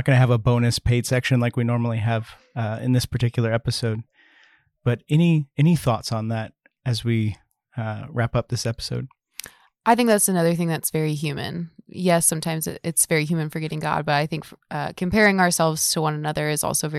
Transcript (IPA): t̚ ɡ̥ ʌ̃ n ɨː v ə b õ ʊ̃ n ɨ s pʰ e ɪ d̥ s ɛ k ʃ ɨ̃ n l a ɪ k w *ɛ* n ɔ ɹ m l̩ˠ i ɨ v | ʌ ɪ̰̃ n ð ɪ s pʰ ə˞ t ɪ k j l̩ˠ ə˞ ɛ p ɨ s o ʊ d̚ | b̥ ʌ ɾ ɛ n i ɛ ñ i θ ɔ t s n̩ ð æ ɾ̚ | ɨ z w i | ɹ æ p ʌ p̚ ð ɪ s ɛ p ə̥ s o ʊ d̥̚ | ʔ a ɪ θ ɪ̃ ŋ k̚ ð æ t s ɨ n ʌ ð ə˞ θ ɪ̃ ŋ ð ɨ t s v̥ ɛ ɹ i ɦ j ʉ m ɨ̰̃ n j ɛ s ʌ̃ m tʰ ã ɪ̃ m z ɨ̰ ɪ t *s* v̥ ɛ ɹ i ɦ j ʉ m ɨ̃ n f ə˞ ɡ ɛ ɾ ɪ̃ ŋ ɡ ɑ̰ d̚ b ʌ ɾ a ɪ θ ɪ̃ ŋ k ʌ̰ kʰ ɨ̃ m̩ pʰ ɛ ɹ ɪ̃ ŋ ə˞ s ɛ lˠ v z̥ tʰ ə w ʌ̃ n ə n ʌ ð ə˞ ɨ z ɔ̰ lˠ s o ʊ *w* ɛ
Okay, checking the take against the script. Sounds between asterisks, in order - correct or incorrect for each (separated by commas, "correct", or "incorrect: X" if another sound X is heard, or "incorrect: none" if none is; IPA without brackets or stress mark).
incorrect: i, correct, incorrect: v